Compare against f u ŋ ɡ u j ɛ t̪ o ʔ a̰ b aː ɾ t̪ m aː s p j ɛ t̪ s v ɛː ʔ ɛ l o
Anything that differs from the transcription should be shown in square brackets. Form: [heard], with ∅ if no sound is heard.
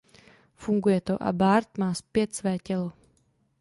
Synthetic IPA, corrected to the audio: f u ŋ ɡ u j ɛ t̪ o ʔ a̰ b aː ɾ t̪ m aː s p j ɛ t̪ s v ɛː [c] ɛ l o